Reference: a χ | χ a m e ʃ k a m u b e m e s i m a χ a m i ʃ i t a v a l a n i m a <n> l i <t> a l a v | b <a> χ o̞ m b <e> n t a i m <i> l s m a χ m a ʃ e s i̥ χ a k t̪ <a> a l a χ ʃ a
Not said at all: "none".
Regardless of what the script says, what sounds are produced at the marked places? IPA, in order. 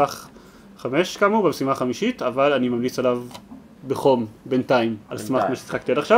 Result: m, t͡s, e, e, a, i

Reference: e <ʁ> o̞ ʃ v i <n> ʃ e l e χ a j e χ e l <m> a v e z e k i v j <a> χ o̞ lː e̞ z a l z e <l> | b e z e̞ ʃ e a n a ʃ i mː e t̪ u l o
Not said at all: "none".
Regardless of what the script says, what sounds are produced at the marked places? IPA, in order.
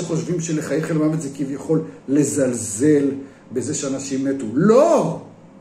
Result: χ, m, m, a, l

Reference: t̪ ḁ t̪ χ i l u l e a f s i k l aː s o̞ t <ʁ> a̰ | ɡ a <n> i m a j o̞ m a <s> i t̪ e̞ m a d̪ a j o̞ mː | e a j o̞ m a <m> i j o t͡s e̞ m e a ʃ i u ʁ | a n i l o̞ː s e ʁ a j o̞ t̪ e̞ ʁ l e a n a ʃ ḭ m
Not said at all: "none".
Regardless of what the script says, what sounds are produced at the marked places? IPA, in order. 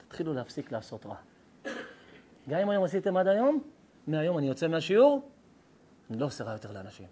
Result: ʁ, m, s, n

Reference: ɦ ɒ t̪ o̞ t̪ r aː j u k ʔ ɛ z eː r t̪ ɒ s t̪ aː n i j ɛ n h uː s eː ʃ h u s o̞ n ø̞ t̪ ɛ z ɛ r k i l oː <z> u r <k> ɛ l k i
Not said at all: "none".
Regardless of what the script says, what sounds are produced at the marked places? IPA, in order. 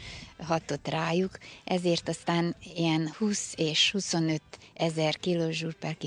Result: ʒ, p

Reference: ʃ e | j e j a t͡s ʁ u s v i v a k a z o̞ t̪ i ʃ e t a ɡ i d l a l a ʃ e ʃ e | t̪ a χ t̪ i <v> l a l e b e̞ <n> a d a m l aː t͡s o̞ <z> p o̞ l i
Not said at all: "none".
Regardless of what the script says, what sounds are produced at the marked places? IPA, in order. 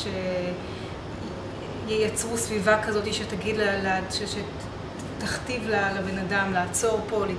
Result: v, n, ʁ

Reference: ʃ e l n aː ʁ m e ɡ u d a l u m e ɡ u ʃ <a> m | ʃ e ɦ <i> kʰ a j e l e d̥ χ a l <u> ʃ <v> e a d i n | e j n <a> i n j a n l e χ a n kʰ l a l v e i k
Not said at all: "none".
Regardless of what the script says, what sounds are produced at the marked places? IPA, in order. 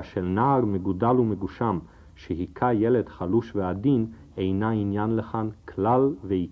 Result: a, i, u, v, a

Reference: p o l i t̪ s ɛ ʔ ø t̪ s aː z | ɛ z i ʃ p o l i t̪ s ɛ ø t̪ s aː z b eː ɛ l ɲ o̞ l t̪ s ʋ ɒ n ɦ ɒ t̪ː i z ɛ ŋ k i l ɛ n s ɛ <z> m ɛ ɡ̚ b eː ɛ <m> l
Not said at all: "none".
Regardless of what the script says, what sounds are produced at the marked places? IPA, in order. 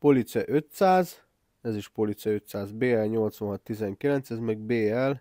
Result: z, none

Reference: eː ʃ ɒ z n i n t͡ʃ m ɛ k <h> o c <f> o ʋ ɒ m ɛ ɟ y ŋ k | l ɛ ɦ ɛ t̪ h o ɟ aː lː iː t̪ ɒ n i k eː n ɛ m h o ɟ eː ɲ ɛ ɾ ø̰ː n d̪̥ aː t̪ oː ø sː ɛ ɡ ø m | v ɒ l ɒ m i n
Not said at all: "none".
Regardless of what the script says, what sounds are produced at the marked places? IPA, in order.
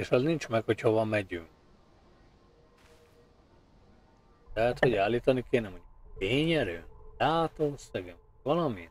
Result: h, h

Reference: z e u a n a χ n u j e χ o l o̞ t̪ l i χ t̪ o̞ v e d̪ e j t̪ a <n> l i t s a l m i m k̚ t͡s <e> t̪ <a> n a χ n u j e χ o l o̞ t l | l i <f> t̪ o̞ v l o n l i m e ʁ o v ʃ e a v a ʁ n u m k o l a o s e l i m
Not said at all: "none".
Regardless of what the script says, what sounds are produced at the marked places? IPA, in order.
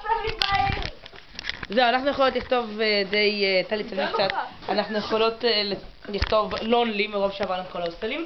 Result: none, a, a, χ

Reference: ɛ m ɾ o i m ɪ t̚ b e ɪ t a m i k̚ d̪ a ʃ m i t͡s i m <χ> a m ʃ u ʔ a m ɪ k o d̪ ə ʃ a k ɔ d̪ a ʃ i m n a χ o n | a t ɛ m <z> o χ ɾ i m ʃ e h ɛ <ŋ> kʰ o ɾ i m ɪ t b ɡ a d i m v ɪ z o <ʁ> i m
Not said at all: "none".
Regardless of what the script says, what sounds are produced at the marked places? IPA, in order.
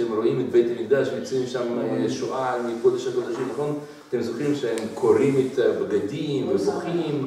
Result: ʃ, z, m, χ

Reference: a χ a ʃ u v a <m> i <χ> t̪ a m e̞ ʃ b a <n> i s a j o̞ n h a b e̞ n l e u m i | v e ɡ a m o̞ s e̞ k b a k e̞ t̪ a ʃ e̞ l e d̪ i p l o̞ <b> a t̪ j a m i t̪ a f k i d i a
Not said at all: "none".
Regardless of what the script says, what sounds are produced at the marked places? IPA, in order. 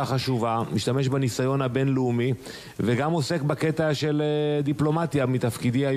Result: m, ʃ, n, m

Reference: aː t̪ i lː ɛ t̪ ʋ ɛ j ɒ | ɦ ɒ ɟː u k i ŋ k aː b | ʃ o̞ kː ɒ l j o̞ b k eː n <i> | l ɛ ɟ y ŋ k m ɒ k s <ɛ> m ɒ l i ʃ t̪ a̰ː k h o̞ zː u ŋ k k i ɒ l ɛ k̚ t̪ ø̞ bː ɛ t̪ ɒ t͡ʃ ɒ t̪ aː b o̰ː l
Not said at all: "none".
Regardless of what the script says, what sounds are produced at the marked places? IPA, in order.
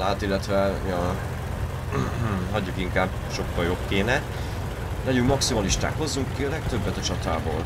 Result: ɛ, i

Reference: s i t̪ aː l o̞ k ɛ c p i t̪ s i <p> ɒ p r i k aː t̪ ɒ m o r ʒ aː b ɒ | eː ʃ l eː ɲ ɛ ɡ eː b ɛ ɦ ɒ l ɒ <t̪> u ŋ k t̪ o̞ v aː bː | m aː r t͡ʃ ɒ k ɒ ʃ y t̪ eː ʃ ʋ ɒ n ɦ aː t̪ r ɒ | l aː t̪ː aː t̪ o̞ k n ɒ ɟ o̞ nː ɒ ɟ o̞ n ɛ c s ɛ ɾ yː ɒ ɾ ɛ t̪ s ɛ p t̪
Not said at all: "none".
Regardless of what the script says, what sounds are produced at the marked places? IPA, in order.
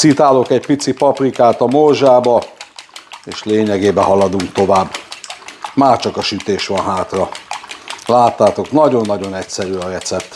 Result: p, d̪

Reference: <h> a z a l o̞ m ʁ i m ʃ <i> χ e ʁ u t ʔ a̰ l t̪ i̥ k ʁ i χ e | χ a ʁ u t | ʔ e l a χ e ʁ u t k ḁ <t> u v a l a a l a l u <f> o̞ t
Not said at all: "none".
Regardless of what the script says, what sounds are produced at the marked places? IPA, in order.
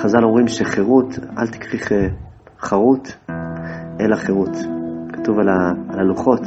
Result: χ, e, t, χ

